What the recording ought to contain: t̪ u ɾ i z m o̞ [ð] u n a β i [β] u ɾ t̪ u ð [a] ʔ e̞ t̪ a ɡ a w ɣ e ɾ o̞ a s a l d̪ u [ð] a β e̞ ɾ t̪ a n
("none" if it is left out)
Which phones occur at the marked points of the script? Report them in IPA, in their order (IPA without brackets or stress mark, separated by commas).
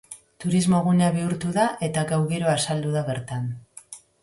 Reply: ɣ, none, a, ð